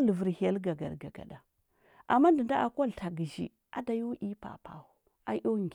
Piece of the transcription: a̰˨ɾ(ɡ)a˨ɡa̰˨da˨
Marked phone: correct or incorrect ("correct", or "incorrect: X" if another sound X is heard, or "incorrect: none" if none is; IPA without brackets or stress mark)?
correct